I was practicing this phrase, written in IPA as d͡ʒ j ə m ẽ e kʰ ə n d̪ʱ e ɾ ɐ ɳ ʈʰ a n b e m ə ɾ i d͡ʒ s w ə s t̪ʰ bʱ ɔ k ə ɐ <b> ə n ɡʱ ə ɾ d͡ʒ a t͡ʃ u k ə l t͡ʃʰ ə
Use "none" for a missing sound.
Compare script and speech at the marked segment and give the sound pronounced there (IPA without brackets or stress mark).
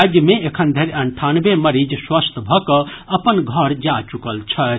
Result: p